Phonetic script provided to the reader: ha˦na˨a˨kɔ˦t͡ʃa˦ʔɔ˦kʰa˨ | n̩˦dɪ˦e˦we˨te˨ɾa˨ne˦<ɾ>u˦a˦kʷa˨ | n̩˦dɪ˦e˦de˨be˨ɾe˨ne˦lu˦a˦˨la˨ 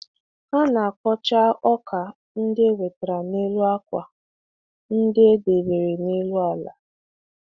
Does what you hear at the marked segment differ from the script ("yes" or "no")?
yes